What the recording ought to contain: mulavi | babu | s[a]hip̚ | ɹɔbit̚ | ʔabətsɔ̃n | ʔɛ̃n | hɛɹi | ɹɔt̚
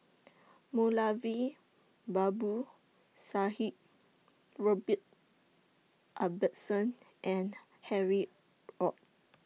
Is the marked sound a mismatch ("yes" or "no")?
no